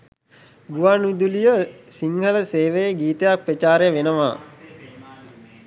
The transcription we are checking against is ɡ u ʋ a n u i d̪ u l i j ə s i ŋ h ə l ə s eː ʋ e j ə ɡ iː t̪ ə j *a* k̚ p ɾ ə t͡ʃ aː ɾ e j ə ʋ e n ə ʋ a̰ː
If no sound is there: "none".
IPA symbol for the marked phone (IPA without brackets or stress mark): a